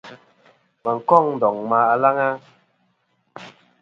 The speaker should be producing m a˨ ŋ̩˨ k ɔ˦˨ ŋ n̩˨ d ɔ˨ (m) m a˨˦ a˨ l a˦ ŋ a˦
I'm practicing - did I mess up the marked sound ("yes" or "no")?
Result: yes